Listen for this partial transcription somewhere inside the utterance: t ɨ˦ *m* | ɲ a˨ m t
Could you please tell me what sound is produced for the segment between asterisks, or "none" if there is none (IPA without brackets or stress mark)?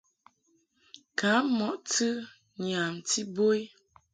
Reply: none